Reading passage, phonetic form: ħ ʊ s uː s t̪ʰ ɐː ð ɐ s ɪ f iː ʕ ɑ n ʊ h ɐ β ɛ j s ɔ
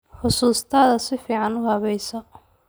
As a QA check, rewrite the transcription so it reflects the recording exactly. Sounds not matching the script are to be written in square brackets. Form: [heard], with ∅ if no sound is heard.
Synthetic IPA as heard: ħ ʊ s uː s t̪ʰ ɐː ð ɐ s ɪ f iː ʕ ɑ n ʊ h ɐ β ɛ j s ɔ